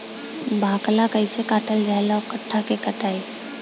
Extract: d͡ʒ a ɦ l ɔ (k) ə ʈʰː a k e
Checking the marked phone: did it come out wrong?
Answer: no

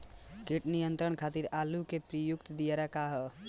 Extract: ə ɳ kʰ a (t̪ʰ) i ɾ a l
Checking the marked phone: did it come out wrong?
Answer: yes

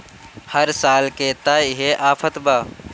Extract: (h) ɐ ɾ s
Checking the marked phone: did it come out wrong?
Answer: no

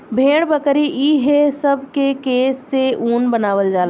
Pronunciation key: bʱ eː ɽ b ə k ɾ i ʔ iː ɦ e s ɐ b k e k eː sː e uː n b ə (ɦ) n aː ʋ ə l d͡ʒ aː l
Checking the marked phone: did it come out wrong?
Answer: yes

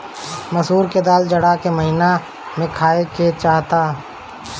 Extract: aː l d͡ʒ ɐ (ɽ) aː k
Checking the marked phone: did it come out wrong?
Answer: no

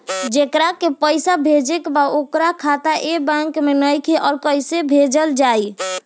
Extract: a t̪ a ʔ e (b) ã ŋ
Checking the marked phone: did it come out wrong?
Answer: no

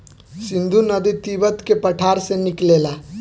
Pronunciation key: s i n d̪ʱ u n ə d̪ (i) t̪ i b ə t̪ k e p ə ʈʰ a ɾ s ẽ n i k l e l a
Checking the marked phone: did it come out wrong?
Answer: no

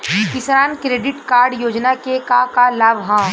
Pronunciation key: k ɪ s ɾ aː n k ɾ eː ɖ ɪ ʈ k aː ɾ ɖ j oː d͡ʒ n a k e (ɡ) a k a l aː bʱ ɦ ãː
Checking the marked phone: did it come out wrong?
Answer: yes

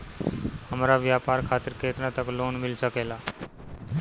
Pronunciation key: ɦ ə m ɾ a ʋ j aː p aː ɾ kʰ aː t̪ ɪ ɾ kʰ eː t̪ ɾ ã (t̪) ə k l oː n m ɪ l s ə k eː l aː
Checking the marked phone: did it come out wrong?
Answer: no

